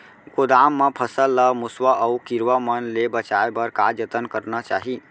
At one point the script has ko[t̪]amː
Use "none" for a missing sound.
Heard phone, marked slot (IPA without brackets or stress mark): d̪